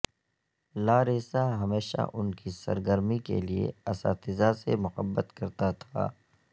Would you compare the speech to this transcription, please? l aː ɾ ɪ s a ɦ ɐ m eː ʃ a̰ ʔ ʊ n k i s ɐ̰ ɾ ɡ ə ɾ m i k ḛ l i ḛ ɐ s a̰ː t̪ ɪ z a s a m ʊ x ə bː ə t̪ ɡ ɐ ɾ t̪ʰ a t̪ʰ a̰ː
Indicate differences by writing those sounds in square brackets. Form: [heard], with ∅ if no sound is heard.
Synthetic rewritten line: l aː ɾ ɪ s a ɦ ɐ m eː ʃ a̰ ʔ ʊ n k i s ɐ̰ ɾ ɡ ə ɾ m i k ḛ l i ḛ ɐ s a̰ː t̪ ɪ z a s [e] m ʊ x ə bː ə t̪ [k] ɐ ɾ [t̪] a t̪ʰ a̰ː